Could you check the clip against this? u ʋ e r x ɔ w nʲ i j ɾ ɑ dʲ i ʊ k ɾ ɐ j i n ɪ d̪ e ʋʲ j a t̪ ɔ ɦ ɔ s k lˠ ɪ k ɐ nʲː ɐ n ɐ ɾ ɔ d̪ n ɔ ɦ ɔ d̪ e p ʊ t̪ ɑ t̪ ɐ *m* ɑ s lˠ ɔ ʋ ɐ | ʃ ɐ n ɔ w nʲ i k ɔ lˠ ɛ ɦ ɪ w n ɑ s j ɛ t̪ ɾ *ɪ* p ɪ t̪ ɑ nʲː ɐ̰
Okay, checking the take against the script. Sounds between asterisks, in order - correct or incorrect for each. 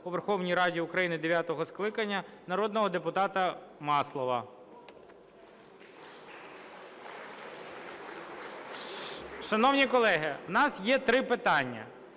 correct, correct

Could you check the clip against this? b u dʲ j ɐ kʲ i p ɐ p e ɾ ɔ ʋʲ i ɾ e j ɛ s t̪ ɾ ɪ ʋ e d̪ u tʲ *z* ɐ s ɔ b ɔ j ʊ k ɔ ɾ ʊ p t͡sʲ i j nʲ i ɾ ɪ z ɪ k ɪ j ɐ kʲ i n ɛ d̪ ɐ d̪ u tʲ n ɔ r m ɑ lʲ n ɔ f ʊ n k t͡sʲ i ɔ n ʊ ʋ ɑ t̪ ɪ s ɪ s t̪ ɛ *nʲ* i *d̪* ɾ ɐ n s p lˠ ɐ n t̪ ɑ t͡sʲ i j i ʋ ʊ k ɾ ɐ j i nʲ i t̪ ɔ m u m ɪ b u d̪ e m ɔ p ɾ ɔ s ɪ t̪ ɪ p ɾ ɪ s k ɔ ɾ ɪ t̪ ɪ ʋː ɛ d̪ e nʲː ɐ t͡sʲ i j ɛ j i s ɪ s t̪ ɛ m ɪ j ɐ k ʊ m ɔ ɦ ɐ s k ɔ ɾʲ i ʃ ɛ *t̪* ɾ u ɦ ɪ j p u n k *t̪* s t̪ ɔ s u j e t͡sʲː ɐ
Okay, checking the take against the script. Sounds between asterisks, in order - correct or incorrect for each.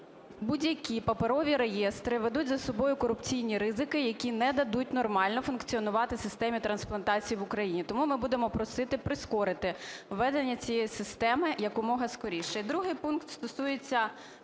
correct, incorrect, incorrect, incorrect, correct

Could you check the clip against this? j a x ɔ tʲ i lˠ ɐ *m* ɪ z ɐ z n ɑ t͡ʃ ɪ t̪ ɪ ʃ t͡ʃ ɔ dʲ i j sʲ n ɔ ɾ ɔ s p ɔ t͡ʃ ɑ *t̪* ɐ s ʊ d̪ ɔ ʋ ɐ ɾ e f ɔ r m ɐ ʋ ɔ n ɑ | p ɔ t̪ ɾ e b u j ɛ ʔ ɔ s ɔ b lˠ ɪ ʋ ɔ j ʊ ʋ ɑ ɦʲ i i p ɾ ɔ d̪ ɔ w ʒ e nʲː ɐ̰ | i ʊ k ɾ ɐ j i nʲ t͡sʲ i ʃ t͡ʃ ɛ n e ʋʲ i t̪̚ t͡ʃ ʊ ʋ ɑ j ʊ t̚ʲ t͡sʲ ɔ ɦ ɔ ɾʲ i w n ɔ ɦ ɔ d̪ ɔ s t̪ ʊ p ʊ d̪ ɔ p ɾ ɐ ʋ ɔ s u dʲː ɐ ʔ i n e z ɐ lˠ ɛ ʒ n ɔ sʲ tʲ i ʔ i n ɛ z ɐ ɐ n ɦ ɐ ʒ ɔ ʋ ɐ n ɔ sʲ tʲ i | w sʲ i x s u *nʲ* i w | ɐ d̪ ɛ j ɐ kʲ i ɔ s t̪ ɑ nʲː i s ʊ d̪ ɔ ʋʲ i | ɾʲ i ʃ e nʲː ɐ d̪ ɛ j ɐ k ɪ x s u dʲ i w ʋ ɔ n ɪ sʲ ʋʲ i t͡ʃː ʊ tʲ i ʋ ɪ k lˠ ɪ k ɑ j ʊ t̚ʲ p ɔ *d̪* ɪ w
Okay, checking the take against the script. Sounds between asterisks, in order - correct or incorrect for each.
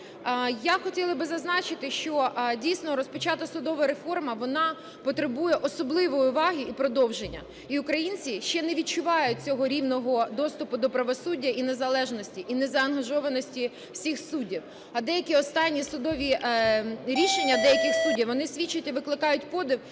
incorrect, correct, incorrect, correct

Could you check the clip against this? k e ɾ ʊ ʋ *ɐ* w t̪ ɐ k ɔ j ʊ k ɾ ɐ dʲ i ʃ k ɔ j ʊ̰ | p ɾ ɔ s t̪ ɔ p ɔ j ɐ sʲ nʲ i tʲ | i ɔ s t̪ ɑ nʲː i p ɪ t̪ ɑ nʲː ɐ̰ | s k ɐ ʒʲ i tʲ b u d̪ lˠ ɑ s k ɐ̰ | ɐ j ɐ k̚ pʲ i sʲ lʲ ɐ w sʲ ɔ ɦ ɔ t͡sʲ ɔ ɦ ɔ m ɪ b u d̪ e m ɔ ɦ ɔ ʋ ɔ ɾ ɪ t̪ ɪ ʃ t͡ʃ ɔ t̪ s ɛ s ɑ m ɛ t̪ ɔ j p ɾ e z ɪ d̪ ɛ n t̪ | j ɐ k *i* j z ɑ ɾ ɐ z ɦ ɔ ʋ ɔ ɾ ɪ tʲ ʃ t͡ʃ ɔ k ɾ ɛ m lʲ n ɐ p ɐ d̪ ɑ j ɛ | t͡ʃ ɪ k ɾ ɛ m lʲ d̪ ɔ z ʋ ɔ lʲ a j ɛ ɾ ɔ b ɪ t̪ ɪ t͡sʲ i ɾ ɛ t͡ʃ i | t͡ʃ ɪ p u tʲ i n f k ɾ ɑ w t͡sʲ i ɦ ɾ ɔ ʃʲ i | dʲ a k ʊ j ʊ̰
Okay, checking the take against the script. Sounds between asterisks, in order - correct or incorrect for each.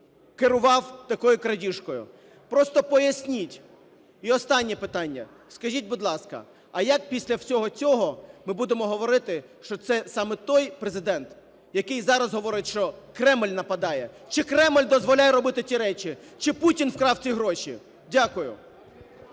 incorrect, incorrect

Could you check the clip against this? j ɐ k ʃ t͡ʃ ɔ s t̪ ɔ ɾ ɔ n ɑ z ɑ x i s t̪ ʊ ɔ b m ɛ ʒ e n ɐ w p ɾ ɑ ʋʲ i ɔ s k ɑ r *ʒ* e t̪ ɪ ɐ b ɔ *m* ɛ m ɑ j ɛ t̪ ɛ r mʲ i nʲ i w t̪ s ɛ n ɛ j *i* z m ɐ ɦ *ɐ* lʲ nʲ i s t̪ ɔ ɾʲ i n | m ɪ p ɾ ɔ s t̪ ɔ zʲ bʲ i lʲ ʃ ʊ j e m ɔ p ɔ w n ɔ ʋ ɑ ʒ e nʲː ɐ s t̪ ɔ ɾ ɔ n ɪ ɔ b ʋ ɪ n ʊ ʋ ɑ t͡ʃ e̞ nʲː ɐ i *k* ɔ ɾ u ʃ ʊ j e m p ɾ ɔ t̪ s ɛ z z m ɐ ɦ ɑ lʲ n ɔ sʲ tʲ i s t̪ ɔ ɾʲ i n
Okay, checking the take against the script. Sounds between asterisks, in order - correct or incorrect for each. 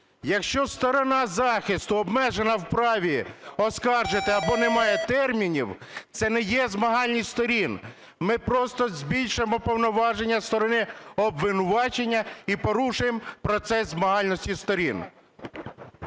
correct, incorrect, incorrect, incorrect, incorrect

